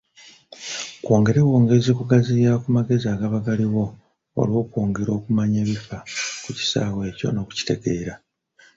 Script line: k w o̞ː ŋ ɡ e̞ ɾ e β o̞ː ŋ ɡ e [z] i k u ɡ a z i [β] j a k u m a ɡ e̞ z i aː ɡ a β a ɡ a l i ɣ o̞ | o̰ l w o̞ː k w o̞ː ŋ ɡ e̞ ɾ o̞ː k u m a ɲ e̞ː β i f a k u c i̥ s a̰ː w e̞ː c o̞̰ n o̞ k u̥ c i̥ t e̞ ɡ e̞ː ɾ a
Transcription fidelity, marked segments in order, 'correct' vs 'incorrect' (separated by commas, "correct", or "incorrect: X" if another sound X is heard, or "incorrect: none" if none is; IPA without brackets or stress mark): correct, incorrect: none